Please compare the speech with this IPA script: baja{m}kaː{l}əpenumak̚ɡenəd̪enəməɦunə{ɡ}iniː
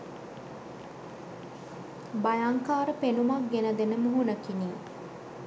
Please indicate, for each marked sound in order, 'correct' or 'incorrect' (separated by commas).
incorrect, incorrect, incorrect